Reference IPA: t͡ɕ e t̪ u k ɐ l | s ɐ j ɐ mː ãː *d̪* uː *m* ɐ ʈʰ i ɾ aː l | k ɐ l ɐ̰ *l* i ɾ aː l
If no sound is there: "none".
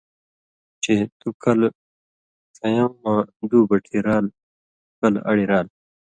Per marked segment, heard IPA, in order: d̪, b, ɽ

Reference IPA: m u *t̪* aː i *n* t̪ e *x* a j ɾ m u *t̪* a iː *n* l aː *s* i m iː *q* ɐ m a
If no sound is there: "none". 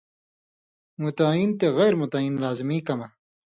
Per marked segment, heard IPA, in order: t̪, n, ɣ, t̪, n, z, k

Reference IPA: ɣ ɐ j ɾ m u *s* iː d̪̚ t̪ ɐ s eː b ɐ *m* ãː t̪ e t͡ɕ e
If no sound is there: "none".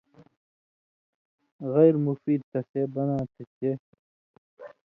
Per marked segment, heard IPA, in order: f, n

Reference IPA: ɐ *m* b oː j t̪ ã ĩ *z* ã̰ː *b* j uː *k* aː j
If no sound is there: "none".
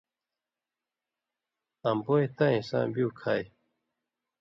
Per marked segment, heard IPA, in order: m, s, b, kʰ

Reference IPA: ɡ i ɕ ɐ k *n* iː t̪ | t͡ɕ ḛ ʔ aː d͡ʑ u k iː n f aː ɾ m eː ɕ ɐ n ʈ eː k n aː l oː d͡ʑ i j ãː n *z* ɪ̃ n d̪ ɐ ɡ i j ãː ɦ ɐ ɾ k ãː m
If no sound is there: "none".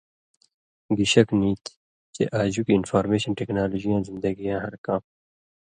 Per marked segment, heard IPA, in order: n, z

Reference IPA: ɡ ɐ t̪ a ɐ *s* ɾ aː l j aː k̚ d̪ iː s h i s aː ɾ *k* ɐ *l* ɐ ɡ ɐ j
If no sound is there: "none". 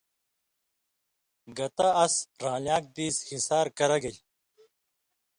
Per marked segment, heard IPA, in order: s, k, ɾ

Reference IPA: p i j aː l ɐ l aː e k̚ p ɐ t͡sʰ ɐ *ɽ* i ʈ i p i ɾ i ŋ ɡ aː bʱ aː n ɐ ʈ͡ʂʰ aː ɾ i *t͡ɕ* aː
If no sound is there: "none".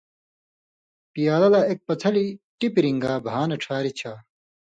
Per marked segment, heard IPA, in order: l, t͡ɕʰ

